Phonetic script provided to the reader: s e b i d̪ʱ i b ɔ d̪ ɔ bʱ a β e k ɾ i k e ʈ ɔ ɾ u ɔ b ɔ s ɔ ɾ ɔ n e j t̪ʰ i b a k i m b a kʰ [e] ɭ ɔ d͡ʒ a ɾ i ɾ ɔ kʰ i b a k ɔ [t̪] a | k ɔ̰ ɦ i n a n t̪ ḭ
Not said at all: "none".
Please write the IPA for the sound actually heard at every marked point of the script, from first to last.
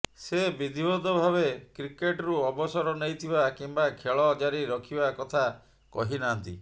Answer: e, t̪ʰ

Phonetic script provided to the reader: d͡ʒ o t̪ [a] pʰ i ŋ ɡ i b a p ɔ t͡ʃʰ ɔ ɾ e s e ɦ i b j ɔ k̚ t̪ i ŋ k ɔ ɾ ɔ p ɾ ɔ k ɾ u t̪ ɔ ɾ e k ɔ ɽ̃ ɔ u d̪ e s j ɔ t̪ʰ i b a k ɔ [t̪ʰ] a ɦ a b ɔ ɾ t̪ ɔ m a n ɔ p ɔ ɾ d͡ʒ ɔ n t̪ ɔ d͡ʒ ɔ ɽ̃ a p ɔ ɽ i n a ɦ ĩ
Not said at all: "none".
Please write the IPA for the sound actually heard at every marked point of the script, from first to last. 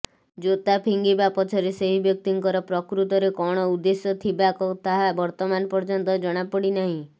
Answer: a, t̪

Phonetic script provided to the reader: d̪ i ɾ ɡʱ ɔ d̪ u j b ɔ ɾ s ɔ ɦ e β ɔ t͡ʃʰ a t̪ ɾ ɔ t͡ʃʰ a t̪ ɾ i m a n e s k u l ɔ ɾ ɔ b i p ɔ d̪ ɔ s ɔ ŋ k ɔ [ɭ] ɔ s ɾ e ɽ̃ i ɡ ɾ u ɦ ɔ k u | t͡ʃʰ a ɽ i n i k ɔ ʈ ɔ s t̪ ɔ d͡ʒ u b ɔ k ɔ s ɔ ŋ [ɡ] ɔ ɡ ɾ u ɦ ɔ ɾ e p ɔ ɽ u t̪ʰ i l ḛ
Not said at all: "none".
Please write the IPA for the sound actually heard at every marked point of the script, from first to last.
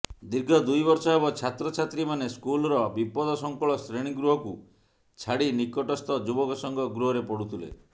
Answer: ɭ, ɡ

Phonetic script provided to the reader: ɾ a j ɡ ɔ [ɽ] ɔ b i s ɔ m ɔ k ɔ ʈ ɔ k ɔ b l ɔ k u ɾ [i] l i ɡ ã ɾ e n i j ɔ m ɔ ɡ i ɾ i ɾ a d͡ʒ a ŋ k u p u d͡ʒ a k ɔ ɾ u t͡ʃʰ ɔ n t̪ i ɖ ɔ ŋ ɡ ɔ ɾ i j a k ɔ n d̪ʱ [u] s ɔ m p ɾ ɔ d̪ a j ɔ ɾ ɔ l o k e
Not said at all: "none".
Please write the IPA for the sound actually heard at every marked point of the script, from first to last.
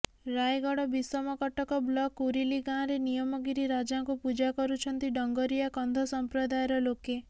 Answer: ɽ, i, ɔ

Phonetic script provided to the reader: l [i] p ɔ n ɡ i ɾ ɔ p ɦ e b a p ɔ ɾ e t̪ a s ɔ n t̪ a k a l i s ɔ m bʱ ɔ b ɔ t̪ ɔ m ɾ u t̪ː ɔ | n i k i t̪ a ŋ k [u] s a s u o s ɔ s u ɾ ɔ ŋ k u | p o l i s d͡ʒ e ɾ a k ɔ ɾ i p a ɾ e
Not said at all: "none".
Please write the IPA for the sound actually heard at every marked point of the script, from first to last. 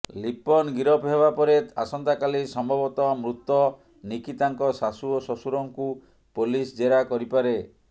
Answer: i, ɔ

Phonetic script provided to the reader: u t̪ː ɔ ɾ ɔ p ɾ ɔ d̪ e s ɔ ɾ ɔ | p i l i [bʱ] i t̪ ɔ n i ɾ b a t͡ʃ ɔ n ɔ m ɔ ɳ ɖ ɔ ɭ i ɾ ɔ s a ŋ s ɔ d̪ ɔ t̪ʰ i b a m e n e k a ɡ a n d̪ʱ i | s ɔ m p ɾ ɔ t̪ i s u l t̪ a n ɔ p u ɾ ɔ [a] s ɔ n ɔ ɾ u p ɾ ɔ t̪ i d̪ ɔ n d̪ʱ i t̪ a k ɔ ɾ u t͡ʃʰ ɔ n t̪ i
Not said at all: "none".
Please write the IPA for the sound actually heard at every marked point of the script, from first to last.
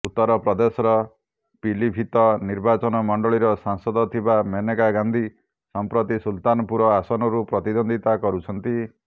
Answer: bʱ, a

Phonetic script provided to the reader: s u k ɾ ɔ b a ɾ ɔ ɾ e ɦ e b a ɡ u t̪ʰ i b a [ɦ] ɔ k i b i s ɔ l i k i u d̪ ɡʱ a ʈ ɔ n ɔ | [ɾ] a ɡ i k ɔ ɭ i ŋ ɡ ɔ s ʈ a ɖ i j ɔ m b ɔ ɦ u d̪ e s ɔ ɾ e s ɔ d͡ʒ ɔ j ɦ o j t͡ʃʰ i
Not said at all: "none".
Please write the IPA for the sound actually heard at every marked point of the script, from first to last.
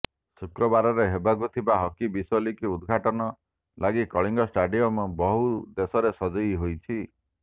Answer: ɦ, l

